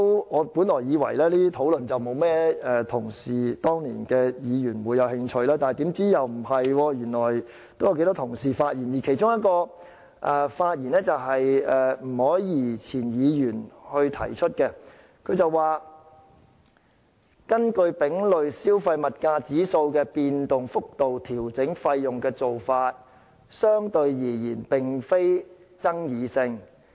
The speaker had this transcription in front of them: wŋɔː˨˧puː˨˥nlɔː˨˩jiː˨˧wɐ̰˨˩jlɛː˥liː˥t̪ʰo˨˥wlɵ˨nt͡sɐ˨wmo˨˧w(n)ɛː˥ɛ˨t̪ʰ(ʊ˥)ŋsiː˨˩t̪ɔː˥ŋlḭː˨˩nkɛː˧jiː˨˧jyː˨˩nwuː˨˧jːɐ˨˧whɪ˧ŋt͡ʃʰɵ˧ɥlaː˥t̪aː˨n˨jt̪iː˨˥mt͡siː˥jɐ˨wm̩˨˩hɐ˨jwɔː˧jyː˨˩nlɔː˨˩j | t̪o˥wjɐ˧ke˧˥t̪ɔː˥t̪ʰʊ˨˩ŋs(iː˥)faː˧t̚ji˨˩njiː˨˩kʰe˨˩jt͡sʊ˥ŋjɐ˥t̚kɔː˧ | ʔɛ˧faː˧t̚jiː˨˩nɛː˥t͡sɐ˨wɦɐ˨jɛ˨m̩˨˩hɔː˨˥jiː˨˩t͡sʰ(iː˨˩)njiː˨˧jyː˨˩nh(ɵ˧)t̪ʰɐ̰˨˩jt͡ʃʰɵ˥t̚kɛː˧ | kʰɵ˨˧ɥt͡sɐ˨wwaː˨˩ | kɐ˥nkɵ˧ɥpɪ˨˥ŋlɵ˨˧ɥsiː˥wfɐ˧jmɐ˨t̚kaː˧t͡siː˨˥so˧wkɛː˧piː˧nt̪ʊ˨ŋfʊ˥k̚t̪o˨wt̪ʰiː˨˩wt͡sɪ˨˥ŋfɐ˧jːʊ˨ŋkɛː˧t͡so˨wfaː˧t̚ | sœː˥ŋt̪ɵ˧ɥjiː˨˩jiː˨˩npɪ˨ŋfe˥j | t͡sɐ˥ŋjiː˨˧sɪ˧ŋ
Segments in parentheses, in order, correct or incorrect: incorrect: m, incorrect: ʊ˨˩, incorrect: iː˨˩, correct, correct

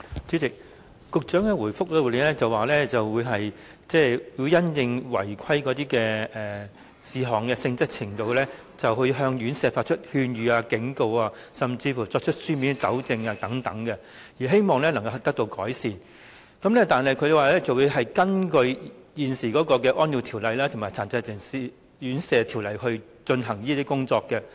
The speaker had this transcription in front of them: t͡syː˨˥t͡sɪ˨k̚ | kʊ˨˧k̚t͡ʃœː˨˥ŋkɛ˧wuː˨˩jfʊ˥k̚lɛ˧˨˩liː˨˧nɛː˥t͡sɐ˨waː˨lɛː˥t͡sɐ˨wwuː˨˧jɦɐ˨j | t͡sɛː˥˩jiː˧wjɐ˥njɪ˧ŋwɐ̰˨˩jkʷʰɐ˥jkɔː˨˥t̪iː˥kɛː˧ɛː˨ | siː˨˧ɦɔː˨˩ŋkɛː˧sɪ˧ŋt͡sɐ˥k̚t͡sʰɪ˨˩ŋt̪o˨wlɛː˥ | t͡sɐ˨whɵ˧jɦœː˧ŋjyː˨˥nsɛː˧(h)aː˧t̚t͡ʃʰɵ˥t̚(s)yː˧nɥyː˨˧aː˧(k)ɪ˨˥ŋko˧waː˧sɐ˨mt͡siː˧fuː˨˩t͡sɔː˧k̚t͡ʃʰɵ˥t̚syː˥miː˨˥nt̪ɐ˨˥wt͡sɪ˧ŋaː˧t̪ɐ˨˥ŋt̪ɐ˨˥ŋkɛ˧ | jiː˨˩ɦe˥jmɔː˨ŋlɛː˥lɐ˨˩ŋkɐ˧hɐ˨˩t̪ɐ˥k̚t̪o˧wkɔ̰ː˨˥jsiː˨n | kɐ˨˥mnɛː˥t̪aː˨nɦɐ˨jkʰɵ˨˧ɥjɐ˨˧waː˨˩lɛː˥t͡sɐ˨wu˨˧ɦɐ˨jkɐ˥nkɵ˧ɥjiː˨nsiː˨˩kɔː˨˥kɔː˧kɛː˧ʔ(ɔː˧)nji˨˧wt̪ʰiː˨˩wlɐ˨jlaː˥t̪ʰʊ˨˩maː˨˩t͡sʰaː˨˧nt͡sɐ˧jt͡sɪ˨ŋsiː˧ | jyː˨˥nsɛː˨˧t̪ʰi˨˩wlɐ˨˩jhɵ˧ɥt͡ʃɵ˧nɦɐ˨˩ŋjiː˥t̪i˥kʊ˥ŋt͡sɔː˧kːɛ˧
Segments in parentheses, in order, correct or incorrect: incorrect: f, incorrect: h, correct, incorrect: ɔː˥

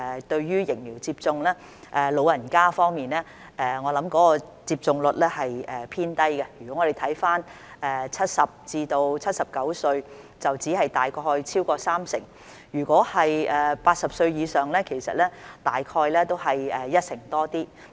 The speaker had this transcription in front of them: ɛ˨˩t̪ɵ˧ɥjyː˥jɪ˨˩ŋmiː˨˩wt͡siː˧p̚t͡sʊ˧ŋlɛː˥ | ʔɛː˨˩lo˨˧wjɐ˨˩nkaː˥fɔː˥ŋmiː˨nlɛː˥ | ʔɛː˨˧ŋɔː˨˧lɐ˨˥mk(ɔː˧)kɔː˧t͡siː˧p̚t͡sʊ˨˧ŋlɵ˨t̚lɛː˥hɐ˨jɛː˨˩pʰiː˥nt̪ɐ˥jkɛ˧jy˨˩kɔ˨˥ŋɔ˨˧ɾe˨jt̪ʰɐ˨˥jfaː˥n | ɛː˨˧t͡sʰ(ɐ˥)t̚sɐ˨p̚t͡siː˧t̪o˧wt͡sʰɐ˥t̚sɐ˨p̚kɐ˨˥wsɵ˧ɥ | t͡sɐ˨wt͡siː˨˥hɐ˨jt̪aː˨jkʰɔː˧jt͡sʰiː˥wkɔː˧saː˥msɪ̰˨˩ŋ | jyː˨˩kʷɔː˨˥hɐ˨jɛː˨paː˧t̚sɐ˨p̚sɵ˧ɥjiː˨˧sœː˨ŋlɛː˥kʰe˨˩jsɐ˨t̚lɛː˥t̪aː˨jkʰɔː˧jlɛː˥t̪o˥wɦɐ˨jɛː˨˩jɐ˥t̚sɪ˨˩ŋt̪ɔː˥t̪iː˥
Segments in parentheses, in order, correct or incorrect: incorrect: ɔː˨˥, correct

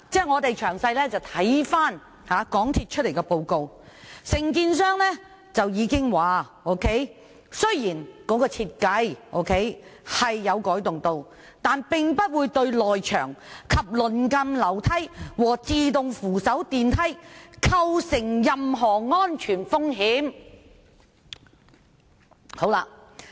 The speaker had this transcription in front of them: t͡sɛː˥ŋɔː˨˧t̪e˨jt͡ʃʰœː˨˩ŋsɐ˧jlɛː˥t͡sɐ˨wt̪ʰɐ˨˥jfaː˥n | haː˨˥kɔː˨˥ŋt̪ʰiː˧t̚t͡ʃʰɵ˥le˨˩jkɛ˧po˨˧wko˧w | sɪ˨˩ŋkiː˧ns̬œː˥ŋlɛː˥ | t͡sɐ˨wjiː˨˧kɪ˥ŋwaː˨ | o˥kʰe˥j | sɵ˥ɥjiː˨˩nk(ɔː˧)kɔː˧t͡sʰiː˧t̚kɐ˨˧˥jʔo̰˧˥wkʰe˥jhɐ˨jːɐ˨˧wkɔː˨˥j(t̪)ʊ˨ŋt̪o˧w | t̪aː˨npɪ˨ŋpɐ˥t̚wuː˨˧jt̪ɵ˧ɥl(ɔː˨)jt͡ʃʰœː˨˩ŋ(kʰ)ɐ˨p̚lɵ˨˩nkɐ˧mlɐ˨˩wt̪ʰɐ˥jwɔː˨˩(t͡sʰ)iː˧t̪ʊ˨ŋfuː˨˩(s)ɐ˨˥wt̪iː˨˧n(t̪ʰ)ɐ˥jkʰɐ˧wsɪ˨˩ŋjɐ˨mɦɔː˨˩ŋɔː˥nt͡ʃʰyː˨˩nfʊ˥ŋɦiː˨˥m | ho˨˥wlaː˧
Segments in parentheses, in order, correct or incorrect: incorrect: ɔː˨˥, correct, correct, correct, incorrect: t͡s, correct, correct

